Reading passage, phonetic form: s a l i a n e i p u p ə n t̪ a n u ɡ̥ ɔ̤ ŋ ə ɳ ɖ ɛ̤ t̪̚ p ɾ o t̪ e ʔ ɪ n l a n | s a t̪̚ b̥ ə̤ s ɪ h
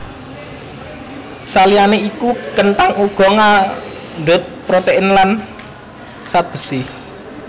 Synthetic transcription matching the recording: s a l i a n e i k u k ə n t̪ a ŋ u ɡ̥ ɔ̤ ŋ a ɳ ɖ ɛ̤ t̪̚ p ɾ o t̪ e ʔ ɪ n l a n | s a t̪̚ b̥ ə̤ s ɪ h

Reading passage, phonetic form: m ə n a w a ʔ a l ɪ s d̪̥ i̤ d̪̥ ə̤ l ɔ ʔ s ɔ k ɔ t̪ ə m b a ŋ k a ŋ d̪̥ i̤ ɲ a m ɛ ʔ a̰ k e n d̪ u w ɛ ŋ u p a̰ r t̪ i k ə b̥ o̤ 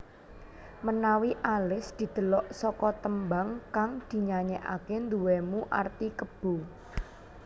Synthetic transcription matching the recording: m ə n a w i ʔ a l ɪ s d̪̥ i̤ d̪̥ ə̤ l ɔ ʔ s ɔ k ɔ t̪ ə m b a ŋ k a ŋ d̪̥ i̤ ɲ a ɲ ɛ ʔ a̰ k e n d̪ u w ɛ m u ʔ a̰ r t̪ i k ə b̥ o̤

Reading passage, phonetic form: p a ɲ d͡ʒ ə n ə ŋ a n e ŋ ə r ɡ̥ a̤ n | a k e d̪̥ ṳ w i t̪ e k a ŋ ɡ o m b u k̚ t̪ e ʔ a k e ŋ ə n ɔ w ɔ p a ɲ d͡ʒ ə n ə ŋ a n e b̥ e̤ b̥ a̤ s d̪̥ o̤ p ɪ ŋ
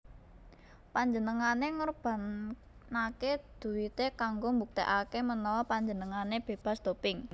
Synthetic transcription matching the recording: p a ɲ d͡ʒ ə n ə ŋ a n e ŋ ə r b̥ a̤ n | a k e d̪̥ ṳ w i t̪ e k a ŋ ɡ o m b u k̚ t̪ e ʔ a k e m ə n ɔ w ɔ p a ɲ d͡ʒ ə n ə ŋ a n e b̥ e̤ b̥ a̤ s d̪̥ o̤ p ɪ ŋ

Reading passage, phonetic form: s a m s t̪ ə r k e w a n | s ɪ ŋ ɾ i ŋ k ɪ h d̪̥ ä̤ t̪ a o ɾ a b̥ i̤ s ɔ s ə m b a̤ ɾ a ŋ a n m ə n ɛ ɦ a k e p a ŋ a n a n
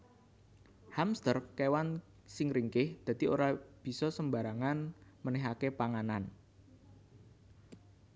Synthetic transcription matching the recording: h a m s t̪ ə r k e w a n | s ɪ ŋ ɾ i ŋ k ɪ h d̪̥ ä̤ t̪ i o ɾ a b̥ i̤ s ɔ s ə m b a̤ ɾ a ŋ a n m ə n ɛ ɦ a k e p a ŋ a n a n

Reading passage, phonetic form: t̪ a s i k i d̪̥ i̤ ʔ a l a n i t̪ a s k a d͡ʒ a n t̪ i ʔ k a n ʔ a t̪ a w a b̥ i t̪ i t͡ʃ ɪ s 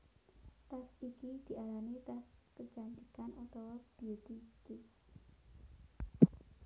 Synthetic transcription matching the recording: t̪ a s i k i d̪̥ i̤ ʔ a l a n i t̪ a s k ə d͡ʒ a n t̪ i k a n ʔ a t̪ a w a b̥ i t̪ i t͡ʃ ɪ s

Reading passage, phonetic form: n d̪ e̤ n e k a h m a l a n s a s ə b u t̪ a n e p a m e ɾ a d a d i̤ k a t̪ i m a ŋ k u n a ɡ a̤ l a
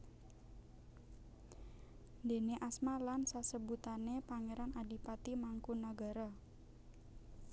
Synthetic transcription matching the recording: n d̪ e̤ n e ʔ a s m a l a n s a s ə b u t̪ a n e p a ŋ e ɾ a n a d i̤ p a t̪ i m a ŋ k u n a ɡ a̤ ɾ a

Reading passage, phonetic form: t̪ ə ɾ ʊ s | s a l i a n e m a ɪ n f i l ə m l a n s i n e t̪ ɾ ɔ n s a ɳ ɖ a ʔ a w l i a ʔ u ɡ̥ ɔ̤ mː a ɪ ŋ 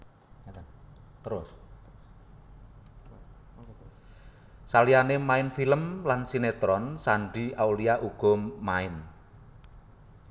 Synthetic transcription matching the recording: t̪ ə ɾ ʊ s | s a l i a n e m a ɪ n f i l ə m l a n s i n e t̪ ɾ ɔ n s a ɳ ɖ i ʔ a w l i a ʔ u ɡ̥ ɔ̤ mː a ɪ n

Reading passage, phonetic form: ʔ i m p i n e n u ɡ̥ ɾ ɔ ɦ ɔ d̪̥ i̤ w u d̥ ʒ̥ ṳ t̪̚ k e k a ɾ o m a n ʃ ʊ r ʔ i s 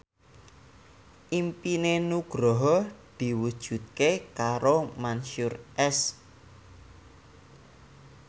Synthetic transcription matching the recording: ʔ i m p i n e n u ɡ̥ ɾ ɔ ɦ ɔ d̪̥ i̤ w u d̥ ʒ̥ ṳ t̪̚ k e k a ɾ o m a n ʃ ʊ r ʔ ɛ s

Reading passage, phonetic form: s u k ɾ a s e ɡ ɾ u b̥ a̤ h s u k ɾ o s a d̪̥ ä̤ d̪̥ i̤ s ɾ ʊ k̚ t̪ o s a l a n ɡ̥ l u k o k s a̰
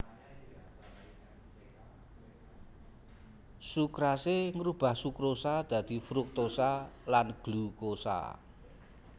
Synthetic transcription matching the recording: s u k ɾ a s e ŋ ɾ u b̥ a̤ h s u k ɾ o s a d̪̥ ä̤ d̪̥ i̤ f ɾ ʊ k̚ t̪ o s a l a n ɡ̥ l u k o s a̰

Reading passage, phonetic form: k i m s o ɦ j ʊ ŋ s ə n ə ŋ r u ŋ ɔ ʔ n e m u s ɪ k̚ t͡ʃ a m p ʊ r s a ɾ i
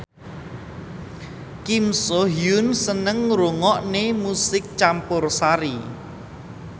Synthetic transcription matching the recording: k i m s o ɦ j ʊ n s ə n ə ŋ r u ŋ ɔ ʔ n e m u s ɪ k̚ t͡ʃ a m p ʊ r s a ɾ i

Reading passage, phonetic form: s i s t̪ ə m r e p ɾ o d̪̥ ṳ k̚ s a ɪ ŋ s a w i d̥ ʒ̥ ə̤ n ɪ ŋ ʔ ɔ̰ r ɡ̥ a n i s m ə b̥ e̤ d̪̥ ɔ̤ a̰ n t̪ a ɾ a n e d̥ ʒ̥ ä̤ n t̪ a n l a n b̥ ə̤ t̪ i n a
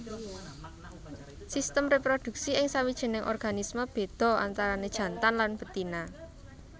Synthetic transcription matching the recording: s i s t̪ ə m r e p ɾ o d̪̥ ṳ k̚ s i ɪ ŋ s a w i d̥ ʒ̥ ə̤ n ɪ ŋ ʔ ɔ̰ r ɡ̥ a n i s m ə b̥ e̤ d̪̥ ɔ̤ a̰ n t̪ a ɾ a n e d̥ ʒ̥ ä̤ n t̪ a n l a n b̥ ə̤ t̪ i n a

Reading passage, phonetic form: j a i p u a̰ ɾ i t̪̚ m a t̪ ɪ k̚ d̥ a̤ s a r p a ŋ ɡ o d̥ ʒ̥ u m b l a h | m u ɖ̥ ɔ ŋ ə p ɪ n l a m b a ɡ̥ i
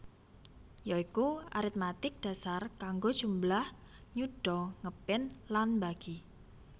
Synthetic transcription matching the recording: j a i k u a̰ ɾ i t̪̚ m a t̪ ɪ k̚ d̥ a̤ s a r k a ŋ ɡ o d̥ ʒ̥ u m b l a h | ɲ u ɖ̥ ɔ ŋ ə p ɪ n l a n b a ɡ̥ i

